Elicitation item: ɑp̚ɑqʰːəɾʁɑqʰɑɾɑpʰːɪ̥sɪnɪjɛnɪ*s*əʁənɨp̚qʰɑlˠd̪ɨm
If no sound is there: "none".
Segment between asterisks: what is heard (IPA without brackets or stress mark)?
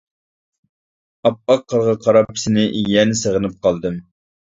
s